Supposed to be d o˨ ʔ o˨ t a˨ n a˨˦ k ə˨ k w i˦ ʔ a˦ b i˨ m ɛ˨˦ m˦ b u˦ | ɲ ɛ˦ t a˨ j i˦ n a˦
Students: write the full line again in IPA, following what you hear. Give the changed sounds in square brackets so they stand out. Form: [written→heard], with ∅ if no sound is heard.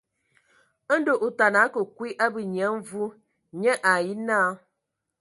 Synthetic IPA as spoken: d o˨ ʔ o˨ t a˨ n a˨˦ k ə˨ k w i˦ ʔ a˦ b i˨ [m→ɲ] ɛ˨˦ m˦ [b→v] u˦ | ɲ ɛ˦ [t→ʔ] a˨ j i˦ n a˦

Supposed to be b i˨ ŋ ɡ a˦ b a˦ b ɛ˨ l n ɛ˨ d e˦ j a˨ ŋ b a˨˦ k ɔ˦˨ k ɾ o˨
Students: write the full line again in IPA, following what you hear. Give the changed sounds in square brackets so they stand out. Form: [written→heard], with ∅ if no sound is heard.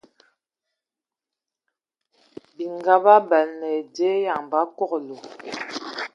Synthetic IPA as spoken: b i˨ ŋ ɡ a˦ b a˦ b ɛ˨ l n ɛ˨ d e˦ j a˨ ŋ b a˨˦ k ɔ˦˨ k [ɾ→l] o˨

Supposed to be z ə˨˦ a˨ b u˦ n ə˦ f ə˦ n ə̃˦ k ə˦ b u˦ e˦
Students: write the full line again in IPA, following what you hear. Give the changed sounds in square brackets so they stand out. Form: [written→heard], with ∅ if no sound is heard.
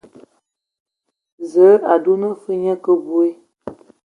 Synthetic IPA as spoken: z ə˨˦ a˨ [b→d] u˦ n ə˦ f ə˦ [n→ɲ] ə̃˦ k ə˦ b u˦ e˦

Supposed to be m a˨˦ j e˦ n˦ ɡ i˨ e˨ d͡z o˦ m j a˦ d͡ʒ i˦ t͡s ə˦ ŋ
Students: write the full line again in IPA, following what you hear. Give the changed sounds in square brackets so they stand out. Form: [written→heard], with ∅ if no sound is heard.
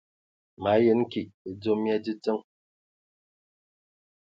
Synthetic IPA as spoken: m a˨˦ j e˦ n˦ [ɡ→k] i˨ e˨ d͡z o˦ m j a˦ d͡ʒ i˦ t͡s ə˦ ŋ

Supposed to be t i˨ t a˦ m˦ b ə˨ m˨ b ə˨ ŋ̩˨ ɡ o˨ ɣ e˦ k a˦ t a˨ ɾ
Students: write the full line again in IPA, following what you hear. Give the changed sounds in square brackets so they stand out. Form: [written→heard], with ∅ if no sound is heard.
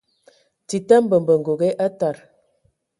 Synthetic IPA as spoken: t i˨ t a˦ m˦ b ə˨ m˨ b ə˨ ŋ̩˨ ɡ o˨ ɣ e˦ [k→ʔ] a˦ t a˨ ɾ

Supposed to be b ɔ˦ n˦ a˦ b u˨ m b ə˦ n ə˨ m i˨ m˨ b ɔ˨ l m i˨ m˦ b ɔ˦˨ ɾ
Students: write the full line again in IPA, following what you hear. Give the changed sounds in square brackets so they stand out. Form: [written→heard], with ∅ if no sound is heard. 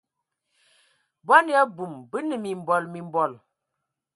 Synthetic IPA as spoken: b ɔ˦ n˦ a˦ b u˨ m b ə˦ n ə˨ m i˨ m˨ b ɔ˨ l m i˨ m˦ b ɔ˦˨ [ɾ→l]

